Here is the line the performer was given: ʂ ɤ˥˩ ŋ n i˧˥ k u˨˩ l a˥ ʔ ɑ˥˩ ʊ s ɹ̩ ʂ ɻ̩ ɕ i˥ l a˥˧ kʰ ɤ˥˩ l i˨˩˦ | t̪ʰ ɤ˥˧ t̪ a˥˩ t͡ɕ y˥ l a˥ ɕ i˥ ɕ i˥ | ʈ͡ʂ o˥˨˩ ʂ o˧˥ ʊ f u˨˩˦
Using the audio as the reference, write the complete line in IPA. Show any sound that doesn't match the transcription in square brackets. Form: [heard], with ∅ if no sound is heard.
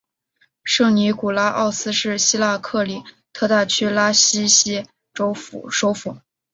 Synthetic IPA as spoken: ʂ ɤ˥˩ ŋ n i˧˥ k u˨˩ l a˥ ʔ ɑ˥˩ ʊ s ɹ̩ ʂ ɻ̩ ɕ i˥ l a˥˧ kʰ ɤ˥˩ l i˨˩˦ | t̪ʰ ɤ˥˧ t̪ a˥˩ [t͡ɕʰ] y˥ l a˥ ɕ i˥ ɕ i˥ | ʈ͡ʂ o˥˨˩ ʂ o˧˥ ʊ f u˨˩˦